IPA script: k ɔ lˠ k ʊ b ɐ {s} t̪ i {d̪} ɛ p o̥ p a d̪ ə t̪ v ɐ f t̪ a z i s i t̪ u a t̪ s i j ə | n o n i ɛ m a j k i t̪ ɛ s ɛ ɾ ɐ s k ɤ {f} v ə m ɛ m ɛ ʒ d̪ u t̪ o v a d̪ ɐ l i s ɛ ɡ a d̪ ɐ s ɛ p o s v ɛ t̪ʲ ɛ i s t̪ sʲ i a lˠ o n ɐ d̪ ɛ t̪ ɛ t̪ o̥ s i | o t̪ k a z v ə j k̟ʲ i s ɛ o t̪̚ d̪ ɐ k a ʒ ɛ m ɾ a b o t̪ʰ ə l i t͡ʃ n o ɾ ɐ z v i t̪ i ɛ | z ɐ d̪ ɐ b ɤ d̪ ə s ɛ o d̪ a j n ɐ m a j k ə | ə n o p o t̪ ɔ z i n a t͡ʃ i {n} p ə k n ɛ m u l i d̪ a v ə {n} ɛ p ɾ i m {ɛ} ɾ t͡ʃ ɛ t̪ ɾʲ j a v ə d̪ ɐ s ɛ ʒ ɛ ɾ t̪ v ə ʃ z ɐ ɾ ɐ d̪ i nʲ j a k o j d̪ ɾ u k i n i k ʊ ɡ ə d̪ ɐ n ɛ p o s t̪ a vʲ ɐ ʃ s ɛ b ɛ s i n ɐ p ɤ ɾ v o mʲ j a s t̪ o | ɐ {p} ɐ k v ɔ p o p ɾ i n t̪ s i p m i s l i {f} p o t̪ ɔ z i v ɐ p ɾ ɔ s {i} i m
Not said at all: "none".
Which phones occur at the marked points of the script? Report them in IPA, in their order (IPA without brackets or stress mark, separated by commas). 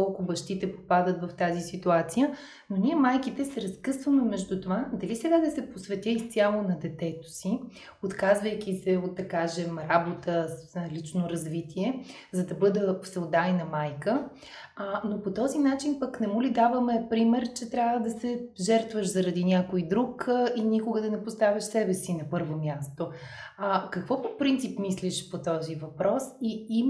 ʃ, t̪, s, n, m, ɛ, k, ʃ, i